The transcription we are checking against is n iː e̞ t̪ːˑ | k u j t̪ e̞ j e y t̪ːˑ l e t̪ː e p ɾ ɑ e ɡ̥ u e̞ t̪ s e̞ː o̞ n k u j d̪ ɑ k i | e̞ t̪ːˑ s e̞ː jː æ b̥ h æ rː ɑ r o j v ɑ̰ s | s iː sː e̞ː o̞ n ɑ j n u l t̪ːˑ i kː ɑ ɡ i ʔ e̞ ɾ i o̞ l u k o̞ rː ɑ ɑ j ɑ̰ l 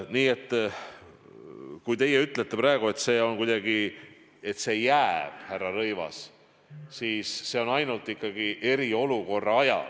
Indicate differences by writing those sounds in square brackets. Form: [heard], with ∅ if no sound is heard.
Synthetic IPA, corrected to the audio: n iː e̞ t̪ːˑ | k u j t̪ e̞ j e y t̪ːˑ l e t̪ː e p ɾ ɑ e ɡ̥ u e̞ t̪ s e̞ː o̞ n k u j d̪ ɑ [ɡ] i | e̞ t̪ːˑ s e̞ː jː æ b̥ h æ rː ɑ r [ɤ] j v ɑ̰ s | s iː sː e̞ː o̞ n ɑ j n u l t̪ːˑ i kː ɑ ɡ i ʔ e̞ ɾ i o̞ l u k o̞ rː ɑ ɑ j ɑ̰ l